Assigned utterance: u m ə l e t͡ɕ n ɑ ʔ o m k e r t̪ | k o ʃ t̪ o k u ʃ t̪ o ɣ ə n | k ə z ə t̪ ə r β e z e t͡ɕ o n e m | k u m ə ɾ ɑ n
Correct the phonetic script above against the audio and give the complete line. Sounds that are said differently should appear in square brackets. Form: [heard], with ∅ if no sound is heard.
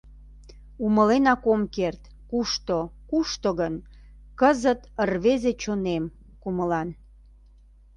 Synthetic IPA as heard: u m ə l e [∅] n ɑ [k] o m k e r t̪ | k [u] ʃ t̪ o k u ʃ t̪ o ɣ ə n | k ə z ə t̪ ə r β e z e t͡ɕ o n e m | k u m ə [l] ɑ n

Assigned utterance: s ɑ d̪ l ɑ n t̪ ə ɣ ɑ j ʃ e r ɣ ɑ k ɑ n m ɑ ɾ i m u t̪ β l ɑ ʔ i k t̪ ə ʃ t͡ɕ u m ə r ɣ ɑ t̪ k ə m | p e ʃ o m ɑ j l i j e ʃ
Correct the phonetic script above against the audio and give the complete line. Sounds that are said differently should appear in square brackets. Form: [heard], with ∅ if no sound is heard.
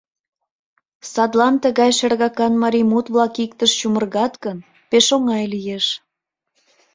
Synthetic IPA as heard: s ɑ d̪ l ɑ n t̪ ə ɣ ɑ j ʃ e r ɣ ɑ k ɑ n m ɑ ɾ i m u t̪ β l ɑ [k] i k t̪ ə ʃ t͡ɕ u m ə r ɣ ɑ t̪ k ə [n] | p e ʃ o [ŋ] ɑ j l i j e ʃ

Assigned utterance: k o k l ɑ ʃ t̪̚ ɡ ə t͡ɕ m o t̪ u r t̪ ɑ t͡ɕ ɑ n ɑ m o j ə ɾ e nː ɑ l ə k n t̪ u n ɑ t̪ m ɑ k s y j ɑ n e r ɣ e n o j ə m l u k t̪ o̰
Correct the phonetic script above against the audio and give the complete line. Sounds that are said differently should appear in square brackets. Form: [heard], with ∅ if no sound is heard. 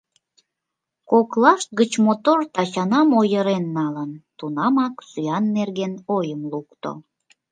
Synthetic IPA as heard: k o k l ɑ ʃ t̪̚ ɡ ə t͡ɕ m o t̪ [o] r t̪ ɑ t͡ɕ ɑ n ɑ m o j ə ɾ e nː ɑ l ə [∅] n t̪ u n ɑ [∅] m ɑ k s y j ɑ [nː] e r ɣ e n o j ə m l u k t̪ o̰

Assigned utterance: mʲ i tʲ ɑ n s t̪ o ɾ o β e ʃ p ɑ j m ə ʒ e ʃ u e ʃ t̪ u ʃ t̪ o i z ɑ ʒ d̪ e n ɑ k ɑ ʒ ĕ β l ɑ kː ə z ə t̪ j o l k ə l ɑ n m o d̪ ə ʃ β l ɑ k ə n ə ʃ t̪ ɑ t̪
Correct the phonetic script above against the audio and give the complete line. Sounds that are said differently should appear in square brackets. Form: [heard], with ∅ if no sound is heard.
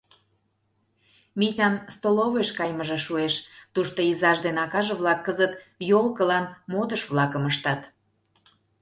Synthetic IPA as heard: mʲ i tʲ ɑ n s t̪ o [l] o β e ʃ [k] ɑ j m ə ʒ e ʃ u e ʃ t̪ u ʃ t̪ o i z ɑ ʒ d̪ e n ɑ k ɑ ʒ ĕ β l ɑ kː ə z ə t̪ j o l k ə l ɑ n m o d̪ ə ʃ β l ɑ k ə [m] ə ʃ t̪ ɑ t̪

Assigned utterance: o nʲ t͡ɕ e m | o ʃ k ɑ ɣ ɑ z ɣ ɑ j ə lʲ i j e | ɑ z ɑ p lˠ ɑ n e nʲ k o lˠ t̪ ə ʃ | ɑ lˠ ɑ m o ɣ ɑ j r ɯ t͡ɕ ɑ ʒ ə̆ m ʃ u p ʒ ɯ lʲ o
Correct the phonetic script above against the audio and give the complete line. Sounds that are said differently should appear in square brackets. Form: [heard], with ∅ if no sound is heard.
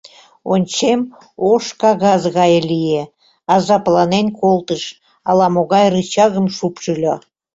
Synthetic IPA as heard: o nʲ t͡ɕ e m | o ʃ k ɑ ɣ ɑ z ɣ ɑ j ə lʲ i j e | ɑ z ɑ p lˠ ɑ n e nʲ k o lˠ t̪ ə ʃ | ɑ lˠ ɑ m o ɣ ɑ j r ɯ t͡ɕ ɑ [ɣ] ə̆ m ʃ u p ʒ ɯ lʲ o

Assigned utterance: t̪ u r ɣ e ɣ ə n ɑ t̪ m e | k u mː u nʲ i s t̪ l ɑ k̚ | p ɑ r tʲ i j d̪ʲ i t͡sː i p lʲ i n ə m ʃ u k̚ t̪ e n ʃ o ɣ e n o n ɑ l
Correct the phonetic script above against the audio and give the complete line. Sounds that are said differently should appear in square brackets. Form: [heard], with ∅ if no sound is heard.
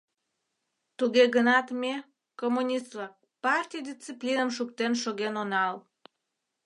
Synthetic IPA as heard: t̪ u [∅] ɣ e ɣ ə n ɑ t̪ m e | k [o] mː u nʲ i s t̪ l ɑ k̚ | p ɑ r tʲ i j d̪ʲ i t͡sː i p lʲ i n ə m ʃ u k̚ t̪ e n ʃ o ɣ e n o n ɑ l

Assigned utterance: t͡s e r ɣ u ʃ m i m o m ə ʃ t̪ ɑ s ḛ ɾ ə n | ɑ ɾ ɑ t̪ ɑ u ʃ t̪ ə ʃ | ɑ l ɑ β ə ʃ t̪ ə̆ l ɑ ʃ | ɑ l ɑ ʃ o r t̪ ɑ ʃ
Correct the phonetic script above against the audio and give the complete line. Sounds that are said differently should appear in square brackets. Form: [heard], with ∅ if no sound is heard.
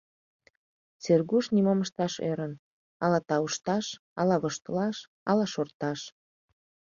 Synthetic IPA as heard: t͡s e r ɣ u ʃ [n] i m o m ə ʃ t̪ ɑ [ʃ] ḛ ɾ ə n | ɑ [l] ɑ t̪ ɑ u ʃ t̪ [ɑ] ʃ | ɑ l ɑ β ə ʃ t̪ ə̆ l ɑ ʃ | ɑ l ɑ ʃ o r t̪ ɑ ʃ

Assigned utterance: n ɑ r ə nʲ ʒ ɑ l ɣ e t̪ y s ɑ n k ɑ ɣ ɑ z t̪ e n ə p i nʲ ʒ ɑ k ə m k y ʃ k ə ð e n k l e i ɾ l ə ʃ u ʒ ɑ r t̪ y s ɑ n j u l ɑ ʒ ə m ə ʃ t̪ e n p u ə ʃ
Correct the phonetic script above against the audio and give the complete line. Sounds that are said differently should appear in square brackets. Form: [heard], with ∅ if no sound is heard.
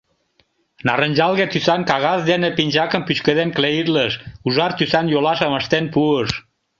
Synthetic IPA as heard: n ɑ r ə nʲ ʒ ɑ l ɣ e t̪ y s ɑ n k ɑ ɣ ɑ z [d̪] e n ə p i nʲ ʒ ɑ k ə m [p] y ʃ k ə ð e n k l e i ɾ l ə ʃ u ʒ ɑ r t̪ y s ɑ n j [o] l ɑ [ʃ] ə m ə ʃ t̪ e n p u ə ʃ

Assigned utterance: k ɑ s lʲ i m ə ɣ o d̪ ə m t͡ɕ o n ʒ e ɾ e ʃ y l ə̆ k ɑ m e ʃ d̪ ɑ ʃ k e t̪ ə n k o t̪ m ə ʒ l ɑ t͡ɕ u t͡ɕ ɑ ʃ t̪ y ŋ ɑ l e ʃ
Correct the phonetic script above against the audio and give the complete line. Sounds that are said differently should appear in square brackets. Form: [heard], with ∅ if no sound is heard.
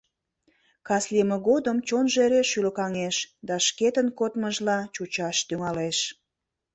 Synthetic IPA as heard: k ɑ s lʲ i m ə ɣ o d̪ ə m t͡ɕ o n ʒ e ɾ e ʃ y l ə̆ k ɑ [ŋ] e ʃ d̪ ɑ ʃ k e t̪ ə n k o t̪ m ə ʒ l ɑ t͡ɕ u t͡ɕ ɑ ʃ t̪ y ŋ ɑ l e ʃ

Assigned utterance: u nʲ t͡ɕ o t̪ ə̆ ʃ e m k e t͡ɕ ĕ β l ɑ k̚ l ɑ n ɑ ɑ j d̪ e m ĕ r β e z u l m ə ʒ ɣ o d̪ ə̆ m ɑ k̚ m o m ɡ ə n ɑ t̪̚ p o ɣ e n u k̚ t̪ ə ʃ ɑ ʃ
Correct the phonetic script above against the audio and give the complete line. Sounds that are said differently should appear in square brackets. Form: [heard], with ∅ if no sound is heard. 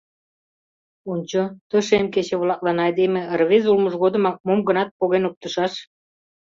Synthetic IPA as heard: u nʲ t͡ɕ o t̪ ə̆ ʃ e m k e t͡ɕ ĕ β l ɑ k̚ l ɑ n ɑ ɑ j d̪ e m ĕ r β e z u l m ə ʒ ɣ o d̪ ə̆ m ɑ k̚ m o m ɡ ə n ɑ t̪̚ p o ɣ e n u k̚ t̪ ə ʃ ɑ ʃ

